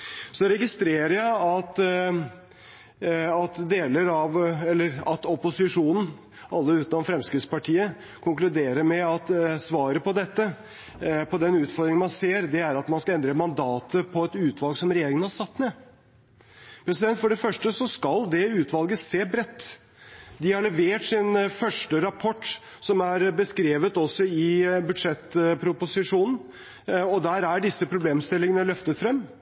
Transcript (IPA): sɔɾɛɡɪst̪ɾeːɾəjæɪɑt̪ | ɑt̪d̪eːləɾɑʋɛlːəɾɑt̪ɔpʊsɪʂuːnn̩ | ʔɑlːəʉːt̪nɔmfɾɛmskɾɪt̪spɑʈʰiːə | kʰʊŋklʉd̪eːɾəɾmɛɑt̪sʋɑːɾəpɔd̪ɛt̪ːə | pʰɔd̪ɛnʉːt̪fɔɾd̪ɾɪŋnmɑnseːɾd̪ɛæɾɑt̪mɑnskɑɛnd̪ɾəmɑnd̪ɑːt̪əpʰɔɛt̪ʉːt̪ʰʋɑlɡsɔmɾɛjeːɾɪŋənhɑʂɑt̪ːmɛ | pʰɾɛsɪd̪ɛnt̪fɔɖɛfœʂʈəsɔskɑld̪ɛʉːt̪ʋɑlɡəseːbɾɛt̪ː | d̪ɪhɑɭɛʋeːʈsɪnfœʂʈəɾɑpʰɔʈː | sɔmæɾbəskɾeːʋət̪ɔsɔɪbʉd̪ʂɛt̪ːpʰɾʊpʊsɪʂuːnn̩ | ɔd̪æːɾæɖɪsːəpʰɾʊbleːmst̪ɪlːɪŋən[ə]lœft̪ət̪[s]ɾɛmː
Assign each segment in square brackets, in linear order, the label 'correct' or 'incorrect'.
correct, incorrect: f

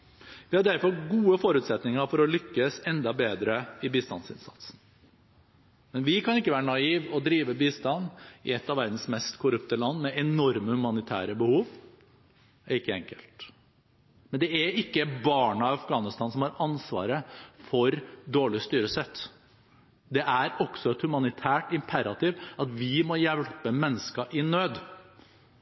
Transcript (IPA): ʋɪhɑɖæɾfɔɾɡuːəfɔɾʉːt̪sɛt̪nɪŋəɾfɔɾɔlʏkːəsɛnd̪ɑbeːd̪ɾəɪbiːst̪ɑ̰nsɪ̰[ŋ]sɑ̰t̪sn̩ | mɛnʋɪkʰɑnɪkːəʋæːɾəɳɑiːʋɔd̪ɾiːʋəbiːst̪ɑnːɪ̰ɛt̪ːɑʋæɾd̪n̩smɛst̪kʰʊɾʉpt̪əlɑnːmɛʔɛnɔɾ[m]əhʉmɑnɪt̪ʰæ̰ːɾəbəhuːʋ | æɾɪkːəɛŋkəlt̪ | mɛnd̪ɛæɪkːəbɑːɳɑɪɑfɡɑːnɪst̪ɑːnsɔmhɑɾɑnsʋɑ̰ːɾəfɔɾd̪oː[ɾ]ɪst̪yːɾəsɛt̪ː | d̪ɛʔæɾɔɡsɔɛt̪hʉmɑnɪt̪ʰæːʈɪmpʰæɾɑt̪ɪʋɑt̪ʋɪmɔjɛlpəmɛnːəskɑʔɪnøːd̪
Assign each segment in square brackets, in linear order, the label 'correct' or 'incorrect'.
incorrect: n, correct, incorrect: ɭ

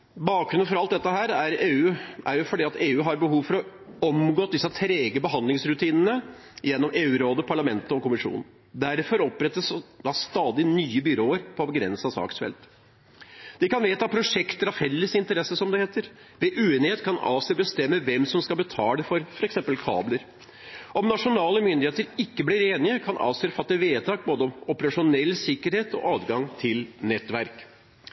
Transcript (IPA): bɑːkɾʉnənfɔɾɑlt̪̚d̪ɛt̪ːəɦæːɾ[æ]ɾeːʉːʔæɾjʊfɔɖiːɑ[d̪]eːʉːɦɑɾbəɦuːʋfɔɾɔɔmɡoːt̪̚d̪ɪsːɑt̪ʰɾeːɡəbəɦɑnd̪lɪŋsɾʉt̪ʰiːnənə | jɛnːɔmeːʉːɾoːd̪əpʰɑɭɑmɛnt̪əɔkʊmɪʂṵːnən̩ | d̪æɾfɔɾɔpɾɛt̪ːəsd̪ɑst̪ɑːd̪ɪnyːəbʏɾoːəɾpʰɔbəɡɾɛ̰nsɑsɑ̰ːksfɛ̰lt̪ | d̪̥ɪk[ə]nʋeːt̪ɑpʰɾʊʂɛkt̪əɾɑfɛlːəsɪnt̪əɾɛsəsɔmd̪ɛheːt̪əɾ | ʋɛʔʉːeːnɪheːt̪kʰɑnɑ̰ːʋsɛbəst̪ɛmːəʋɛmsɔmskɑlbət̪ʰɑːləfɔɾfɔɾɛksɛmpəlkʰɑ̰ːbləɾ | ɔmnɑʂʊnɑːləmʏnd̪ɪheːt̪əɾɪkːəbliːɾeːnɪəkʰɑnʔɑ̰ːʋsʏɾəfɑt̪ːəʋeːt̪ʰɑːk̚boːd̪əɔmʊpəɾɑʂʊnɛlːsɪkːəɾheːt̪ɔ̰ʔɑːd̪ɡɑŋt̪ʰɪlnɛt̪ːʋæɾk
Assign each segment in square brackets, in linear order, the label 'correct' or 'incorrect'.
correct, incorrect: t̪, incorrect: ɑ

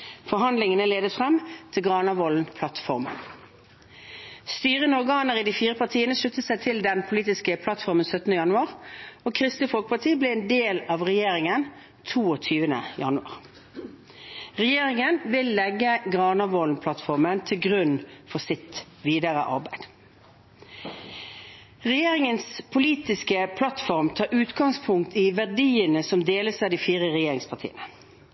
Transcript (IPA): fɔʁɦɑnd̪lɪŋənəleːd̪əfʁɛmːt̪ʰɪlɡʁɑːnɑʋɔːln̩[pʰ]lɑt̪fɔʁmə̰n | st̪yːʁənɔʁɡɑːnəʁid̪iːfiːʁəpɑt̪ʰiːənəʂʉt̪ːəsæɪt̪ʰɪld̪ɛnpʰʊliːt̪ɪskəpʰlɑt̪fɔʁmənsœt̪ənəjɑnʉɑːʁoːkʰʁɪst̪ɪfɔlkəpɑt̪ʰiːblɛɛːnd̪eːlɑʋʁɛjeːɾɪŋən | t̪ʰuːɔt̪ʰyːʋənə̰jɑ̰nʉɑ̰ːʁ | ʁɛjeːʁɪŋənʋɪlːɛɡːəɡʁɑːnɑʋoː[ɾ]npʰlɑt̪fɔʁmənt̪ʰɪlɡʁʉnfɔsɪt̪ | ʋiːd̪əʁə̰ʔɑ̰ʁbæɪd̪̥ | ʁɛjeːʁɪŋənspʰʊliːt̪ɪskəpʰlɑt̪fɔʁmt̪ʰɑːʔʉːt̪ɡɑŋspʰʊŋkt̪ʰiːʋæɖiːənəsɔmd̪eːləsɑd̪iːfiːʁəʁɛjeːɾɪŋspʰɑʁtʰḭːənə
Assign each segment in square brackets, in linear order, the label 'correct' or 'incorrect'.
correct, incorrect: l

